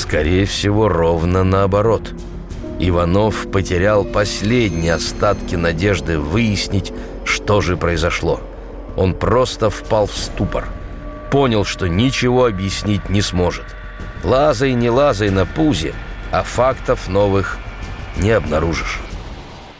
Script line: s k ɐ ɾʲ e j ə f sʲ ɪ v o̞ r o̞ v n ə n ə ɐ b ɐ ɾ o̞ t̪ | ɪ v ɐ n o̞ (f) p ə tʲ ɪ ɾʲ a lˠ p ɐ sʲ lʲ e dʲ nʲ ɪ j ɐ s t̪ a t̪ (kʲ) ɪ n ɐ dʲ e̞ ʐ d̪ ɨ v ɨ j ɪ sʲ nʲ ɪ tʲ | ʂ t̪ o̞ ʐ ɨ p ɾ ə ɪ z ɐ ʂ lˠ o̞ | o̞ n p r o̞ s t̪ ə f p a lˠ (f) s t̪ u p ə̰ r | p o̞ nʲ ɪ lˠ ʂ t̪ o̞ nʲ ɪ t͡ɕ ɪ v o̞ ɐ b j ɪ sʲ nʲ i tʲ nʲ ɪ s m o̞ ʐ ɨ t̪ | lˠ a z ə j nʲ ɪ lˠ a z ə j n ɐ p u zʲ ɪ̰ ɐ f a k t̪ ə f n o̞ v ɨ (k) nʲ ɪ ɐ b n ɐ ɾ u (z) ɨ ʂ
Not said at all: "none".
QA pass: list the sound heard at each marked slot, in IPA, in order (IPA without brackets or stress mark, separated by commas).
f, kʲ, f, x, ʐ